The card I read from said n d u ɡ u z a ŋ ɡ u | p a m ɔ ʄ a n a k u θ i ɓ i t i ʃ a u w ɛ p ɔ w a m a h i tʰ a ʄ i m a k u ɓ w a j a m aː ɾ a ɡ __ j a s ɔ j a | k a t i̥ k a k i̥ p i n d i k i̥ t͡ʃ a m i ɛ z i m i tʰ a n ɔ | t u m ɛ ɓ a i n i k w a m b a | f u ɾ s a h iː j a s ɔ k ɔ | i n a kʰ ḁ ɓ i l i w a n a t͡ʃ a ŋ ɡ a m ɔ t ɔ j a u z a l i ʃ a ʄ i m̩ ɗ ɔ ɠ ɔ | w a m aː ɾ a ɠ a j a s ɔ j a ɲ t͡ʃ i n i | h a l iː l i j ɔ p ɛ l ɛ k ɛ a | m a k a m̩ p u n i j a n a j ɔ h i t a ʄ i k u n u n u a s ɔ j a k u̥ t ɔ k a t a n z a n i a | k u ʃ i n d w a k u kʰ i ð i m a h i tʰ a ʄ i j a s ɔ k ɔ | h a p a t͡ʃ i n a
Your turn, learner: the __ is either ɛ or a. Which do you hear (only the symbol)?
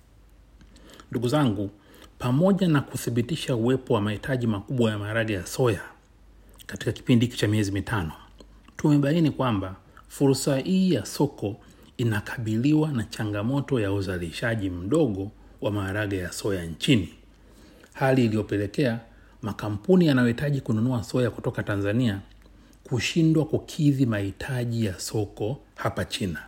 a